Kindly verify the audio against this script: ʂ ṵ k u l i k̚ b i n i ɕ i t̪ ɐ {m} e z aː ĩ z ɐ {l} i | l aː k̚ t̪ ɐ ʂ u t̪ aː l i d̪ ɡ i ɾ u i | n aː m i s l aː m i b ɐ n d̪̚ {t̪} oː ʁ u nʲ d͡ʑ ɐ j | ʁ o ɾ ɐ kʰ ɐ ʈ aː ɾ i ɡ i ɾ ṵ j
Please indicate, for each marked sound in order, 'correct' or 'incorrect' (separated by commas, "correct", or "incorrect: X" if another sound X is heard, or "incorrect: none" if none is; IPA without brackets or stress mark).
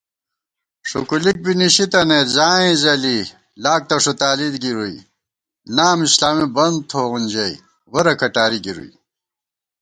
incorrect: n, correct, incorrect: t̪ʰ